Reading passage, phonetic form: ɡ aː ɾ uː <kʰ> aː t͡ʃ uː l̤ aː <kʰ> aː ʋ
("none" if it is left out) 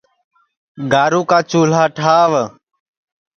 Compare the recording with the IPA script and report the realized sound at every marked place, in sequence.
k, ʈʰ

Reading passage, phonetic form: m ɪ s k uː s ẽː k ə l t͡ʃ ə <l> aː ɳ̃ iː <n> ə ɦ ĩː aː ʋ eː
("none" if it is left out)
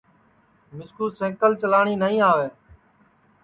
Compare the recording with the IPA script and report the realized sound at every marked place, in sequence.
l, n

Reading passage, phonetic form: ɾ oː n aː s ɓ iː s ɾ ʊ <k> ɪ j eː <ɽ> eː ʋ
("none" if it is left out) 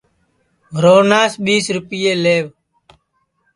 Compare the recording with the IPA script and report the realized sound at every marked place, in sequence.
p, l

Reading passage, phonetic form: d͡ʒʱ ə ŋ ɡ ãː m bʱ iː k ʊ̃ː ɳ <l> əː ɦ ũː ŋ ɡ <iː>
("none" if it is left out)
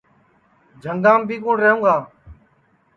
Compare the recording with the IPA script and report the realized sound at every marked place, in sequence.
ɾ, aː

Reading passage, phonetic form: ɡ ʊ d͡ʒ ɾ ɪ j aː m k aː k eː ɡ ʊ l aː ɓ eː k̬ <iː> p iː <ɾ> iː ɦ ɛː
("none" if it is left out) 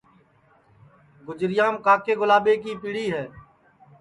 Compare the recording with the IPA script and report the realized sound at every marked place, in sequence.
iː, ɽ

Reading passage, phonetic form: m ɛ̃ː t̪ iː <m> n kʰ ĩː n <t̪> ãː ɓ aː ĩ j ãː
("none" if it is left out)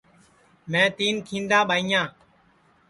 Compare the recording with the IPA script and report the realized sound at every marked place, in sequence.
none, d̪

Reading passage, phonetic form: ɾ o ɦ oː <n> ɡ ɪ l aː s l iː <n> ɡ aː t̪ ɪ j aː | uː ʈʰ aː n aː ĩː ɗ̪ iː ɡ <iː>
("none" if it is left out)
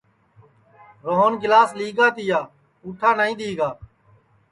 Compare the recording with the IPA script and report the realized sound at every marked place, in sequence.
n, none, aː

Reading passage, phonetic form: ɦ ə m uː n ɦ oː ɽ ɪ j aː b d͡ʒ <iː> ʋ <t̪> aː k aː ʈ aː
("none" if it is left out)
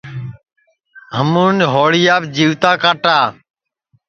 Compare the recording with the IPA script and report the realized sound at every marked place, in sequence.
iː, t̪

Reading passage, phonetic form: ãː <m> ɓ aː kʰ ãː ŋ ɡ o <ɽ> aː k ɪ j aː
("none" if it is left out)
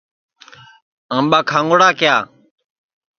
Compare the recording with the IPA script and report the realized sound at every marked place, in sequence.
m, ɽ

